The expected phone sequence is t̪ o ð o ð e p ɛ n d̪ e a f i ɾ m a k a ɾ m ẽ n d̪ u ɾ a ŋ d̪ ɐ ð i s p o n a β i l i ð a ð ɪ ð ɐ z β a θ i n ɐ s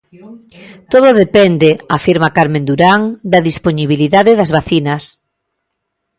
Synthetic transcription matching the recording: t̪ o ð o ð e p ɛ n d̪ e a f i ɾ m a k a ɾ m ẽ n d̪ u ɾ a ŋ d̪ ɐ ð i s p o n i β i l i ð a ð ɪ ð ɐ z β a θ i n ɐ s